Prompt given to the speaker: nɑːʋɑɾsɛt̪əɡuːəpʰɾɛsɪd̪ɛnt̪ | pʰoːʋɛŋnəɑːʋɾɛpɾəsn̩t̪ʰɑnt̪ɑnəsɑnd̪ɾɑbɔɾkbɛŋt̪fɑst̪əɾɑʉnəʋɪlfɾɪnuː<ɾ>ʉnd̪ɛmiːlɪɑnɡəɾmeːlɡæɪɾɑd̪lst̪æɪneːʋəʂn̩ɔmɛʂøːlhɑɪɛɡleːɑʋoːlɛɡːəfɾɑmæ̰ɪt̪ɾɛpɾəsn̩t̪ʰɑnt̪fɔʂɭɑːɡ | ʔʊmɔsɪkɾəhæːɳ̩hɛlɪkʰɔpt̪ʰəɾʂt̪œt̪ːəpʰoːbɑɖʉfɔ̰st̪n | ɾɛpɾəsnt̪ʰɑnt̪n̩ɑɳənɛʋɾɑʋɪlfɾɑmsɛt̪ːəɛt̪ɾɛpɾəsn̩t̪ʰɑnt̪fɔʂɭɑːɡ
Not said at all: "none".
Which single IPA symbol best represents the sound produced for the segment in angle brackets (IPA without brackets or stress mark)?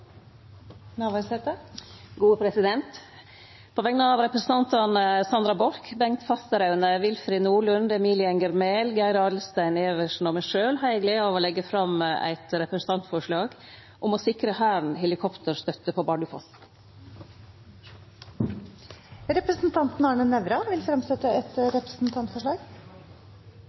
ɭ